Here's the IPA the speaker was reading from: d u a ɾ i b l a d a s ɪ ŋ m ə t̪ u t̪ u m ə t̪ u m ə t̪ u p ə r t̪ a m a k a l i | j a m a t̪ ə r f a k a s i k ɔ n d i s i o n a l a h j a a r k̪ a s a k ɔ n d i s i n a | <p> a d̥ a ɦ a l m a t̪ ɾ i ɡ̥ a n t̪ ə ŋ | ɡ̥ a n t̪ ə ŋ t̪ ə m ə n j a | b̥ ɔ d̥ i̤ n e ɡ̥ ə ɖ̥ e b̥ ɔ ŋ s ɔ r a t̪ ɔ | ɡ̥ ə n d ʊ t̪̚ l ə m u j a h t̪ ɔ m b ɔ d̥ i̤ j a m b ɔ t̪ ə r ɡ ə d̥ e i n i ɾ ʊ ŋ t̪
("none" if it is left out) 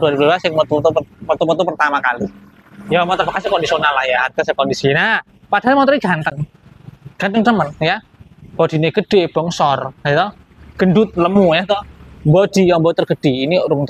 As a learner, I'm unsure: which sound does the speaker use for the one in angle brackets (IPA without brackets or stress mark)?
p